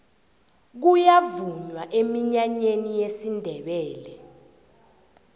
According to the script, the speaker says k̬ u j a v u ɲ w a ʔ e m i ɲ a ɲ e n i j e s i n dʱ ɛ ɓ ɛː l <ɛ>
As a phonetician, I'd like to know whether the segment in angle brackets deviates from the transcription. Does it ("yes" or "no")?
no